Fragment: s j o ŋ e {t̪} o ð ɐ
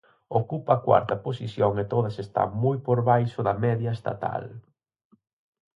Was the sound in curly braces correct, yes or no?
yes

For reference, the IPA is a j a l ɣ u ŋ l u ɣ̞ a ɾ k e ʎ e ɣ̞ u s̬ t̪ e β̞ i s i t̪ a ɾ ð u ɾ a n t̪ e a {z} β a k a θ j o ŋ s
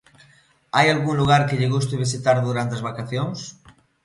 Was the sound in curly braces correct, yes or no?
yes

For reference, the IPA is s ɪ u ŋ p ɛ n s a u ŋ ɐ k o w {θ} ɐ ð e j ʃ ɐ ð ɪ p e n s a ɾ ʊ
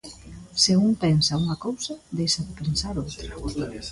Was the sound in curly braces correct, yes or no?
no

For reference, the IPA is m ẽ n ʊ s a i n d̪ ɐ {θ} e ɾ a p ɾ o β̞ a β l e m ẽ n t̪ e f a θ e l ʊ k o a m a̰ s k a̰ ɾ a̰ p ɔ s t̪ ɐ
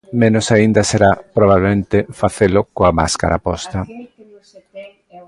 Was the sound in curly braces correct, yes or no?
no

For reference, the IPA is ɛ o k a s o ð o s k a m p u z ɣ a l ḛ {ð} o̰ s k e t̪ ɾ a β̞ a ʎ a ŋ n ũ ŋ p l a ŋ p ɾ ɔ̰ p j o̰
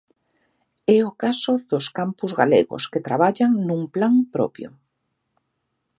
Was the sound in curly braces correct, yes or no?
no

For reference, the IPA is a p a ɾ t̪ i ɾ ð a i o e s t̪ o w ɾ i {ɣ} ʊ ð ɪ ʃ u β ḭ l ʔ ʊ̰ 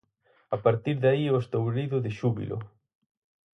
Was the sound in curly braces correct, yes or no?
no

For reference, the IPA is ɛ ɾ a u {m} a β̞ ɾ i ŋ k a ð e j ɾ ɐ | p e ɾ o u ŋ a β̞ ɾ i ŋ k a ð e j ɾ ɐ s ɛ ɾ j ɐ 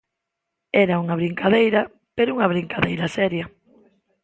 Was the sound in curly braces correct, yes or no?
no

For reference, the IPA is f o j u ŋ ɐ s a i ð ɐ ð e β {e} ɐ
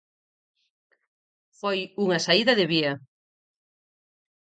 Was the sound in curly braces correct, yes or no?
no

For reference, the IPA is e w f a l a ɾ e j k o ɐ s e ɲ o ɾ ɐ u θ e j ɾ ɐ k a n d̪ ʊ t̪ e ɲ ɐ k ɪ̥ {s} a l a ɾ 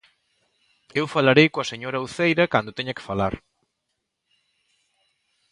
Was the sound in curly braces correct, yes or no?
no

